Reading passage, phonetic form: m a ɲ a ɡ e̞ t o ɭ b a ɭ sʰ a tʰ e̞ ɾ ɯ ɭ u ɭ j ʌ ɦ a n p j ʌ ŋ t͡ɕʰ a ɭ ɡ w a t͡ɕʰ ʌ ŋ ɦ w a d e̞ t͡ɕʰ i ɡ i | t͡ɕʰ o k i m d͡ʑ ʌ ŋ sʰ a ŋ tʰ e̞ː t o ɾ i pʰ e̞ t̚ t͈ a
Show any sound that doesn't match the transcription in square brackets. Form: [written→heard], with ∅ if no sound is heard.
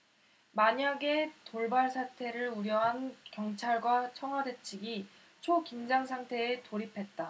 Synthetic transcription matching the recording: m a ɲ a ɡ e̞ t o ɭ b a ɭ sʰ a tʰ e̞ ɾ ɯ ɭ u [ɭ→ɾ] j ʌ ɦ a n [p→k] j ʌ ŋ t͡ɕʰ a ɭ ɡ w a t͡ɕʰ ʌ ŋ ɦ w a d e̞ t͡ɕʰ i ɡ i | t͡ɕʰ o k i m d͡ʑ [ʌ→a] ŋ sʰ a ŋ tʰ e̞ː t o ɾ i pʰ e̞ t̚ t͈ a